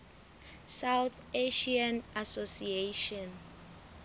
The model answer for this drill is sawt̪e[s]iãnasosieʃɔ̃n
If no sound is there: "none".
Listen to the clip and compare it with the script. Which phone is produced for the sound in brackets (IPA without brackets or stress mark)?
ʃ